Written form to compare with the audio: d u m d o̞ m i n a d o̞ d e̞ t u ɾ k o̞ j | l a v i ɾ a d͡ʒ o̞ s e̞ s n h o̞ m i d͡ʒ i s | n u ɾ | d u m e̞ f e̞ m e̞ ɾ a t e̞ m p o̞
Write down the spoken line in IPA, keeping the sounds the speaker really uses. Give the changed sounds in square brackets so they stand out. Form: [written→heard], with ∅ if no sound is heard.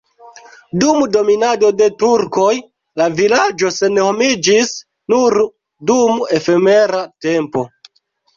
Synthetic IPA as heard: d u m d o̞ m i n a d o̞ d e̞ t u ɾ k o̞ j | l a v i [ɾ→l] a d͡ʒ o̞ s e̞ [s→∅] n h o̞ m i d͡ʒ i s | n u ɾ | d u m e̞ f e̞ m e̞ ɾ a t e̞ m p o̞